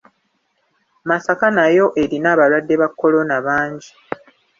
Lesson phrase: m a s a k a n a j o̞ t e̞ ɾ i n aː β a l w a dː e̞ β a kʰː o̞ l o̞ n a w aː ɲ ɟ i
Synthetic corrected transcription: m a s a k a n a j o̞ ʔ e̞ ɾ i n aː β a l w a dː e̞ β a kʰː o̞ l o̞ n a β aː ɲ ɟ i

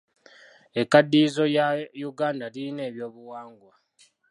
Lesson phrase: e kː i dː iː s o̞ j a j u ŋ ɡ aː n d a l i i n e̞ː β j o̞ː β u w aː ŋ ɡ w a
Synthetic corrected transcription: e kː a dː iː z o̞ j a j u ɡ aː n d a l i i n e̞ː β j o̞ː β u w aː ŋ ɡ w a

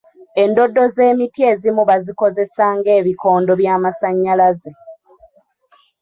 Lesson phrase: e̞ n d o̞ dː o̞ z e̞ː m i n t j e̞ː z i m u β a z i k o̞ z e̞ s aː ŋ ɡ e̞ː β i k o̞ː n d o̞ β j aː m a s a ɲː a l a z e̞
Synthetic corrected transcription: e̞ n d o̞ dː o̞ z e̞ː m i t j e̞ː z i m u β a z i k o̞ z e̞ s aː ŋ ɡ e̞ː β i k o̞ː n d o̞ β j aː m a s a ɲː a l a z e̞

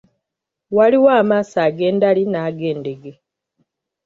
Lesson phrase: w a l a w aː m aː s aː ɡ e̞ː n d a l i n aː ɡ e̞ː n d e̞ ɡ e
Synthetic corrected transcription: w a l i w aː m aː s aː ɡ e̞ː n d a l i n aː ɡ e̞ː n d e̞ ɡ e

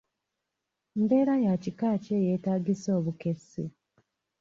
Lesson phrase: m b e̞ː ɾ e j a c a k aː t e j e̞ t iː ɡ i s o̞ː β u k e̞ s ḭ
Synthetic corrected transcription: m b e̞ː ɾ a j a c i k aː c e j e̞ t aː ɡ i s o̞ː β u k e̞ s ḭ

